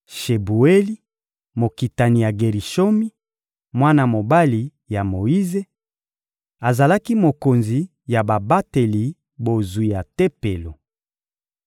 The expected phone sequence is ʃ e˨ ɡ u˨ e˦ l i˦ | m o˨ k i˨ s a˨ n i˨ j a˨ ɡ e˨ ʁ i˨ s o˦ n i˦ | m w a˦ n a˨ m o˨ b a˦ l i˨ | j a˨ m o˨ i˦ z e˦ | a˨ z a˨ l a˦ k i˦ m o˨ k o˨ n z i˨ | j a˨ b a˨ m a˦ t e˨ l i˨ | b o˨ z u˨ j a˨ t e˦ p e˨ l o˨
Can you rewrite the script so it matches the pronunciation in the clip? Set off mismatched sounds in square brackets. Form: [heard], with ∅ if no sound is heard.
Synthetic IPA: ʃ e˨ [b] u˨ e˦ l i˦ | m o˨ k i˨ [t] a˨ n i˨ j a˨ ɡ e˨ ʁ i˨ [ʃ] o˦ [m] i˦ | m w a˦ n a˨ m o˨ b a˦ l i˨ | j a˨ m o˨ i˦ z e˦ | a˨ z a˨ l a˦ k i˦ m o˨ k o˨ n z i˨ | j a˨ b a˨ [b] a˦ t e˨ l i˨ | b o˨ z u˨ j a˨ t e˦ p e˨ l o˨